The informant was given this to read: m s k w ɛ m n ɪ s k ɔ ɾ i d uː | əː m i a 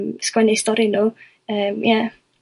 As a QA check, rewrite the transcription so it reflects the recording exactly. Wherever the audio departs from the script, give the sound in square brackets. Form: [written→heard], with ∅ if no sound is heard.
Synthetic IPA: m s k w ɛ [m→∅] n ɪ s [k→t] ɔ ɾ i [d→n] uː | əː m [i→j] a